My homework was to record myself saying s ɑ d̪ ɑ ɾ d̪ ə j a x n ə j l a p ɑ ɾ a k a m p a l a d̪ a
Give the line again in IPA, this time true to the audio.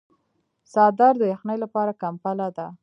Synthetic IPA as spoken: s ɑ d̪ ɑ ɾ d̪ ə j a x n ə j l a p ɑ ɾ a k a m p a l a d̪ a